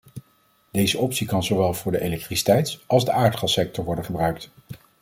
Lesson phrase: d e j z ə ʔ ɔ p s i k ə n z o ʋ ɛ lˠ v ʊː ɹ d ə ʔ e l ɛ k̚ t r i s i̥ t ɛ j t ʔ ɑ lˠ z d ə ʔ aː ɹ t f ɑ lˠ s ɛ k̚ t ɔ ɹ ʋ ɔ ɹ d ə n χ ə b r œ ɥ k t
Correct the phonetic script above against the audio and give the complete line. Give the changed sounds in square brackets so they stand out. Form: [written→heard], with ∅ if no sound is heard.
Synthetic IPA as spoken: d e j z ə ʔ ɔ p s i k [ə→ɑ] n z o ʋ ɛ lˠ v ʊː ɹ d ə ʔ e l ɛ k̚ t r i s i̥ t ɛ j t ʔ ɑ lˠ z d ə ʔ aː ɹ t [f→χ] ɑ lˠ s ɛ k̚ t ɔ ɹ ʋ ɔ ɹ d ə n χ ə b r œ ɥ k t